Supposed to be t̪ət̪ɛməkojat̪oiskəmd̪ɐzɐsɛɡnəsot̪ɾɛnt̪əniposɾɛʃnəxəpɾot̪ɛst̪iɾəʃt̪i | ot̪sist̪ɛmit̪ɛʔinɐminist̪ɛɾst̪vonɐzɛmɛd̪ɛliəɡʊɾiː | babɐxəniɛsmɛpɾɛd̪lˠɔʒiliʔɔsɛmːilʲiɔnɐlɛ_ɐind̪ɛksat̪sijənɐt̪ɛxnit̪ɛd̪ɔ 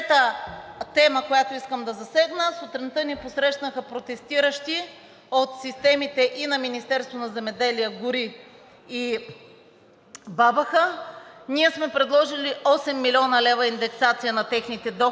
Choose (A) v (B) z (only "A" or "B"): A